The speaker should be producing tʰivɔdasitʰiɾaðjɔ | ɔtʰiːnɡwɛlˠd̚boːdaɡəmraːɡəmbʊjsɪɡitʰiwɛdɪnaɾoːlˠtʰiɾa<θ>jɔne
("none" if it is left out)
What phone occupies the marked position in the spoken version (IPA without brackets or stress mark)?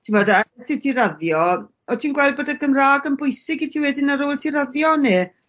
ð